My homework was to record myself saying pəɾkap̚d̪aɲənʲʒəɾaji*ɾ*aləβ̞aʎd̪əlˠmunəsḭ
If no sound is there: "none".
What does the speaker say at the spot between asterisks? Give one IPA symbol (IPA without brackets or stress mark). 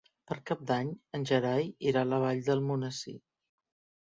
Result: ɾ